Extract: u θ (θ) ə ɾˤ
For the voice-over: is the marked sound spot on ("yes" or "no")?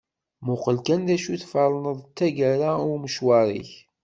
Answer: no